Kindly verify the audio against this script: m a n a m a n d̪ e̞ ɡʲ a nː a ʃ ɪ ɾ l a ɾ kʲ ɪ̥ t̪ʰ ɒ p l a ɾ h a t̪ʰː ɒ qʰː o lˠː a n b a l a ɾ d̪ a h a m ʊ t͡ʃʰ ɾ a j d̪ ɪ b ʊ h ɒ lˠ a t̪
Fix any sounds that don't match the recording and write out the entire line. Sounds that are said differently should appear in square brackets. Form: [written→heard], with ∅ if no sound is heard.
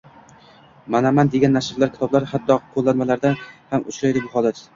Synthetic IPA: m a n a m a n d̪ e̞ ɡʲ a nː a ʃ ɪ ɾ l a ɾ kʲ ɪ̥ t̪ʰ ɒ [p→b] l a ɾ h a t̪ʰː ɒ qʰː o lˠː a n [b→m] a l a ɾ d̪ a h a m ʊ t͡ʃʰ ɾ a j d̪ ɪ b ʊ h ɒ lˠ a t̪